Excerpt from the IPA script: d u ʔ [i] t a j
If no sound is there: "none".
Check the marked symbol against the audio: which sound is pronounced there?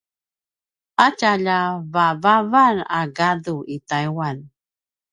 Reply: i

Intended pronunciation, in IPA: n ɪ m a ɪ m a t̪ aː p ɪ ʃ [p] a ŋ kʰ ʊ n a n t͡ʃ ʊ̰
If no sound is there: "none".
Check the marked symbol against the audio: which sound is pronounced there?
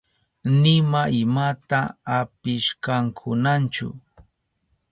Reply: k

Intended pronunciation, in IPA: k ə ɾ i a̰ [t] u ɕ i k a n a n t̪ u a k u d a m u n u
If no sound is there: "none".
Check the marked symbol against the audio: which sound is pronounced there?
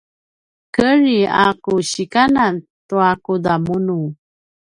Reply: k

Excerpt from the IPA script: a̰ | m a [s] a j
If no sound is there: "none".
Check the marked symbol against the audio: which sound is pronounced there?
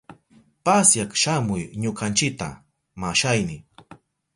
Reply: ʃ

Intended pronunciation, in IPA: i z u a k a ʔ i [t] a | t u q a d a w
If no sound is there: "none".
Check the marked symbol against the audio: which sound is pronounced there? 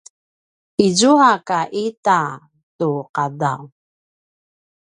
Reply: t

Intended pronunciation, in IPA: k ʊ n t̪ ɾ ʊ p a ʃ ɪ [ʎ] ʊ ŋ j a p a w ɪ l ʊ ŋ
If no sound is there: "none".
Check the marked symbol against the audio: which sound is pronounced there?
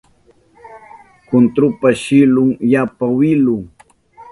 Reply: l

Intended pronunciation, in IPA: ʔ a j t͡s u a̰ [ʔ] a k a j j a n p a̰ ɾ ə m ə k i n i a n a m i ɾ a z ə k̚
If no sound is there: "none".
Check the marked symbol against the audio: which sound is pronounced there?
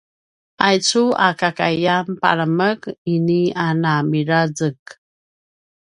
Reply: k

